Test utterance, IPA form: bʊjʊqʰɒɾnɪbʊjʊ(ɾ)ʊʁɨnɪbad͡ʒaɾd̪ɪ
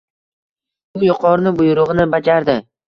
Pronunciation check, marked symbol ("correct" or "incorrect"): correct